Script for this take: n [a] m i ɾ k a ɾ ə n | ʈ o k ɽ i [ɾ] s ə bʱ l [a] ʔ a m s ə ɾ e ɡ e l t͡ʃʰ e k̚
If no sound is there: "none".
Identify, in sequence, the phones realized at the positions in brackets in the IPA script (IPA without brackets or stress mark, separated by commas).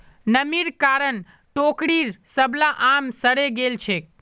ə, ɾ, a